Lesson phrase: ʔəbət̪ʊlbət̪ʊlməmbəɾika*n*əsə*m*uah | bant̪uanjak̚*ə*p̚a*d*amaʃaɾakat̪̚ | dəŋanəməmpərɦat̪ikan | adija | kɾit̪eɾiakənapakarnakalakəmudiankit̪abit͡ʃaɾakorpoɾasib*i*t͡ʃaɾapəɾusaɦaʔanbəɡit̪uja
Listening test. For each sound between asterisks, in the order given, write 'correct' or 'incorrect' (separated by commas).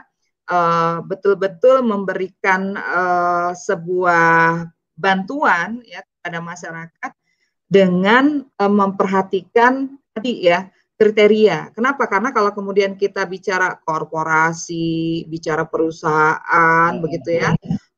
correct, incorrect, correct, correct, correct